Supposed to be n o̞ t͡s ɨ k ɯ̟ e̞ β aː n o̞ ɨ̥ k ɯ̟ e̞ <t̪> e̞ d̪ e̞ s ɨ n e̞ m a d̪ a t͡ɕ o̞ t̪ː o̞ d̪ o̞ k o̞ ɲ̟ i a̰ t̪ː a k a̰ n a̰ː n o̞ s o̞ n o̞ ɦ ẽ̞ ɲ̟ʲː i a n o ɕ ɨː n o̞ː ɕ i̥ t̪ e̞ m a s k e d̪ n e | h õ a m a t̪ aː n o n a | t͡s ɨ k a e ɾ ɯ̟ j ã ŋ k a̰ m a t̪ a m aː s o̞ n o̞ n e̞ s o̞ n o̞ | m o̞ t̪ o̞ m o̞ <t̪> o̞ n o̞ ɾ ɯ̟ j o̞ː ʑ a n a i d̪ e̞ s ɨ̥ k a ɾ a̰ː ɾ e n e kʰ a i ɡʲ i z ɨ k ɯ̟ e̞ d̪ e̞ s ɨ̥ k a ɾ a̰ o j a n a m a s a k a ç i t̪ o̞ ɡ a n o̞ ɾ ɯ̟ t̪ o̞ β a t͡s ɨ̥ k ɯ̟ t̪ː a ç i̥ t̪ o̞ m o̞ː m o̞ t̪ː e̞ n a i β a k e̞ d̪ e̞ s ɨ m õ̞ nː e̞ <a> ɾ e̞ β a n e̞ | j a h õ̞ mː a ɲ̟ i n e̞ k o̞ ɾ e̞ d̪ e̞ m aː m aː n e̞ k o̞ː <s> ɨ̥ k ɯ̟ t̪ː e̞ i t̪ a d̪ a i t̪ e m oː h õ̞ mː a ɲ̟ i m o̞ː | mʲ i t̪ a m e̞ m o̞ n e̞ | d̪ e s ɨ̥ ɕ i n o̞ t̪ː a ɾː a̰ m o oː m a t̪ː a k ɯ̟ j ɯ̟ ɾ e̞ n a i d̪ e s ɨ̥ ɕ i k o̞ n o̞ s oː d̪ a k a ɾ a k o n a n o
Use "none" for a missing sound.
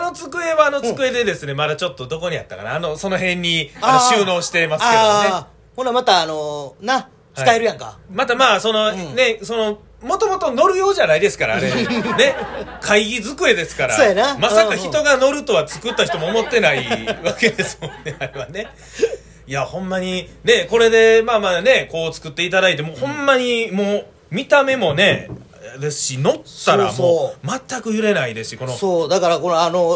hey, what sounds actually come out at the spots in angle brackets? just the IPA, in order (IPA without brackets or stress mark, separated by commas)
d̪, t̪, a, t͡s